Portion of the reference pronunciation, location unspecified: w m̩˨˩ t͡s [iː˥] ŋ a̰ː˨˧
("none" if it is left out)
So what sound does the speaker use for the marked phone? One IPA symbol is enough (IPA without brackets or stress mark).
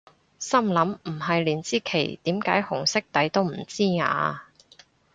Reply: iː˥